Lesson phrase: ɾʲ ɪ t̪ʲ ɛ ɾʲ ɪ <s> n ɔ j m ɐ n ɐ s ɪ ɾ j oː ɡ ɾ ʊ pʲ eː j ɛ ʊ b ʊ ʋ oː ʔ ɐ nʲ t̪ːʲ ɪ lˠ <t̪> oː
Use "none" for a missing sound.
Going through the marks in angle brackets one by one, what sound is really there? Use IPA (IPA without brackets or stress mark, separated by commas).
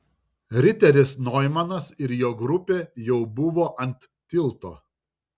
s, t̪